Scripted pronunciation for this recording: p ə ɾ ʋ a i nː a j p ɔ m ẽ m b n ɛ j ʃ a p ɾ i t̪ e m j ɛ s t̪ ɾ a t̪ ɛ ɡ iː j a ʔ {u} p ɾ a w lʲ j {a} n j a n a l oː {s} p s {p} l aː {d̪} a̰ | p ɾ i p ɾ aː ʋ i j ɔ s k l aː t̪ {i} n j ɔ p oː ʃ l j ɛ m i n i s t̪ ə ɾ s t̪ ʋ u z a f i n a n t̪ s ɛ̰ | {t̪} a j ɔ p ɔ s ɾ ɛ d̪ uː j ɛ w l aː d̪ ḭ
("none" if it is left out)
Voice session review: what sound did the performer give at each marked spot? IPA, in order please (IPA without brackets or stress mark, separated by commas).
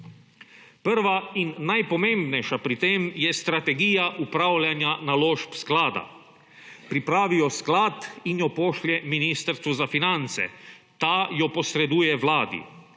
u, a, ʃ, k, d̪, i, t̪